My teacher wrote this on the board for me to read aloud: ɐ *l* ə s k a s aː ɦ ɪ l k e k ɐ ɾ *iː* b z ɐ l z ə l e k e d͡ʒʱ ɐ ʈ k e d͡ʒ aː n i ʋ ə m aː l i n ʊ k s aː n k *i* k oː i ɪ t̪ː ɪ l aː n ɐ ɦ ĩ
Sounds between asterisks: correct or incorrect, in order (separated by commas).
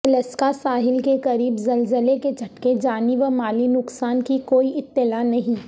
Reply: correct, correct, correct